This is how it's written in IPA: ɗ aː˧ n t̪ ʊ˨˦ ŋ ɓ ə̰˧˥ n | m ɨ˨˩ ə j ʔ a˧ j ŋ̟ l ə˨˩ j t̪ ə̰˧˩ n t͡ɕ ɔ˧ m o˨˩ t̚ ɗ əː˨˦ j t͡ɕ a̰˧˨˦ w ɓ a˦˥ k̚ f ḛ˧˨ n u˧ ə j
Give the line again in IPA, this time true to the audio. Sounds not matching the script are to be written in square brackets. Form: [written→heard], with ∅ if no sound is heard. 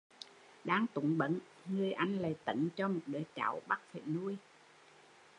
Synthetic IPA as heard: ɗ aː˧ [n→ŋ] t̪ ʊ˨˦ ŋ ɓ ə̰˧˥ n | [m→ŋ] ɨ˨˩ ə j ʔ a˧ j ŋ̟ l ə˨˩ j t̪ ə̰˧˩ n t͡ɕ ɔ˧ m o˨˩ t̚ ɗ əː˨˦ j t͡ɕ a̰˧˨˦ w ɓ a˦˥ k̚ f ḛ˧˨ n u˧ ə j